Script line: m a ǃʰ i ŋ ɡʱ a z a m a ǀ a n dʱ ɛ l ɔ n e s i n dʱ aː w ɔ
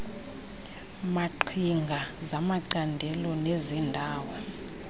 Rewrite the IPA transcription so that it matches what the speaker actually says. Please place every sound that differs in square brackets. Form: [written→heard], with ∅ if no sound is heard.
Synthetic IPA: m a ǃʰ i ŋ ɡʱ a z a m a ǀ a n dʱ ɛ l ɔ n e [s→z] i n dʱ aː w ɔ